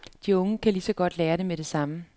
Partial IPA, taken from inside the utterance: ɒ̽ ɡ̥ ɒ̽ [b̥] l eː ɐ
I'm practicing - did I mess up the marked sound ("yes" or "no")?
yes